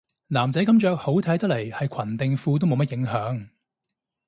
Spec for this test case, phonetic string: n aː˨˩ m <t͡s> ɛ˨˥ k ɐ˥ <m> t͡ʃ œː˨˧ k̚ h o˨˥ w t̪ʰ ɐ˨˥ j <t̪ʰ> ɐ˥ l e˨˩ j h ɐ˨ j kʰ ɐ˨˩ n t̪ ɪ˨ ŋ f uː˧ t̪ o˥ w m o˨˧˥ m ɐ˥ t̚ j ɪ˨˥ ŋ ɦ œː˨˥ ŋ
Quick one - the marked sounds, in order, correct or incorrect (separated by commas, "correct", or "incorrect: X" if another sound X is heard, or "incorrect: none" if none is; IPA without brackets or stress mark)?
correct, correct, incorrect: t̪